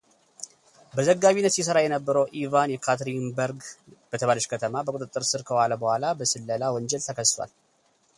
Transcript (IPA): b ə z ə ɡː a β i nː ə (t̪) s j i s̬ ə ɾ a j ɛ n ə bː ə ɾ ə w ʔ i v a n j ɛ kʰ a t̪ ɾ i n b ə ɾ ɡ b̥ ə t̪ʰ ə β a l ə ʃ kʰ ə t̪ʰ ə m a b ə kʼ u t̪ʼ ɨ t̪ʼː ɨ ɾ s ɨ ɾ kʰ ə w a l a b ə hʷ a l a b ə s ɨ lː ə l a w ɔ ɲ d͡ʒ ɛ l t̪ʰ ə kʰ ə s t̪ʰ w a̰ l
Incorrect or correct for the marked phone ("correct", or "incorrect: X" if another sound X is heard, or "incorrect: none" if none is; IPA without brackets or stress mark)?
correct